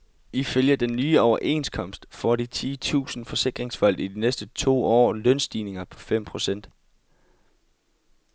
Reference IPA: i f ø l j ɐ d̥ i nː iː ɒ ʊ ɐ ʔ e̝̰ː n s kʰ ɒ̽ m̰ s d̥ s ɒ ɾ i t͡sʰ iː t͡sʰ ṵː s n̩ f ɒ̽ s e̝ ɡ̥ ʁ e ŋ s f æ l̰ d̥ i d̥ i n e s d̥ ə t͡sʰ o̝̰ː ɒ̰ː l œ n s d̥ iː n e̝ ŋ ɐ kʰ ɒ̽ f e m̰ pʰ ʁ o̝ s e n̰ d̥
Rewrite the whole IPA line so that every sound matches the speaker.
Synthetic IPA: i f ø l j ɐ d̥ e nː yː ɒ ʊ ɐ ʔ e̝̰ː n s kʰ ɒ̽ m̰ s d̥ f ɒ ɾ i t͡sʰ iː t͡sʰ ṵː s n̩ f ɒ̽ s e̝ ɡ̥ ʁ e ŋ s f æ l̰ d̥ i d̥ i n e s d̥ ə t͡sʰ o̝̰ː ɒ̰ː l œ n s d̥ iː n e̝ ŋ ɐ pʰ ɒ̽ f e m̰ pʰ ʁ o̝ s e n̰ d̥